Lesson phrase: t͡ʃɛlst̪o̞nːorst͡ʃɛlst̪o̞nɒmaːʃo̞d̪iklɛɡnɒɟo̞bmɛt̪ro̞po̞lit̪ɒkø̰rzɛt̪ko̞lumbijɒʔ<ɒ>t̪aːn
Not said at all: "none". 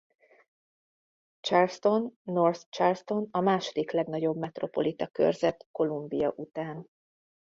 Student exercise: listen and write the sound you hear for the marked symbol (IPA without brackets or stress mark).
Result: u